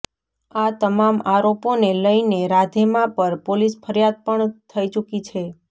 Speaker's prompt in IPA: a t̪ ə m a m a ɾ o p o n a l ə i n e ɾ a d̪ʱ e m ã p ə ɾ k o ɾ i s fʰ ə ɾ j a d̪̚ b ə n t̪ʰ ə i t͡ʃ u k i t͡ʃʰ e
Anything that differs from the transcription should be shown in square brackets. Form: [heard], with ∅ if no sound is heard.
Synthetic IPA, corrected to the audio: a t̪ ə m a m a ɾ o p o n [e] l ə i n e ɾ a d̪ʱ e m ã p ə ɾ [p] o [l] i s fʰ ə ɾ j a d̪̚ [p] ə [ɳ] t̪ʰ ə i t͡ʃ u k i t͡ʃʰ e